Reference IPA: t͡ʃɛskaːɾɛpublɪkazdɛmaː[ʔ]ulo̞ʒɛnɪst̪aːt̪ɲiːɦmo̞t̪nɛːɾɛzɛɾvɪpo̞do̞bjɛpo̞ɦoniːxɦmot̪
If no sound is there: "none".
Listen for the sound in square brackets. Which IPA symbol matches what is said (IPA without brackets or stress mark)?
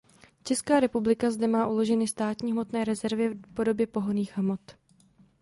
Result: ʔ